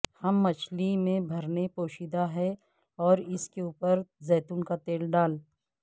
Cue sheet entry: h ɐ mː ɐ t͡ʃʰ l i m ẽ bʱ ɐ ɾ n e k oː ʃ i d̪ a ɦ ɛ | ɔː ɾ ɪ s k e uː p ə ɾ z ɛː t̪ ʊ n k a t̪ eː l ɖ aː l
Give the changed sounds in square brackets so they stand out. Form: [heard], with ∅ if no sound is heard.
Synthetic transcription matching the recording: h ɐ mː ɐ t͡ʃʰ l i m ẽ bʱ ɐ ɾ n e [p] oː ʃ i d̪ a ɦ ɛ | ɔː ɾ ɪ s k e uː p ə ɾ z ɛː t̪ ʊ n k a t̪ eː l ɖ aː l